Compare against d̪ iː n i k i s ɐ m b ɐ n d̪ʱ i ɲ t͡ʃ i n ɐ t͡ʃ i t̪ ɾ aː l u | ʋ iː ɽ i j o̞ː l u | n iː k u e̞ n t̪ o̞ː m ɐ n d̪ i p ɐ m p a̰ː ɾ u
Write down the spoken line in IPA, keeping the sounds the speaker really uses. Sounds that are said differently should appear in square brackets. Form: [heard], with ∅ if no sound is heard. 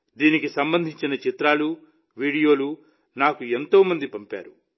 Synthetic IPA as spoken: d̪ iː n i k i s ɐ m b ɐ n d̪ʱ i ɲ t͡ʃ i n ɐ t͡ʃ i t̪ ɾ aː l u | ʋ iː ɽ i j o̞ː l u | n [aː] k u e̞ n t̪ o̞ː m ɐ n d̪ i p ɐ m p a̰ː ɾ u